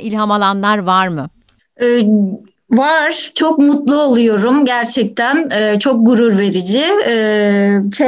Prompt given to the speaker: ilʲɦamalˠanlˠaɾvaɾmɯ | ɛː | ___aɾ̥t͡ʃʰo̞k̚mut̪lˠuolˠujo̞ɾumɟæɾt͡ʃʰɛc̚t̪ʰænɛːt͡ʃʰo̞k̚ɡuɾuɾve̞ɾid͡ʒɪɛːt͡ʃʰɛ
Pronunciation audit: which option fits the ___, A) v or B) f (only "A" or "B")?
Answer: A